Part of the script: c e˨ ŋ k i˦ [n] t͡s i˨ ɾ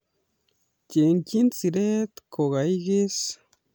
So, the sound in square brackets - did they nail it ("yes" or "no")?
yes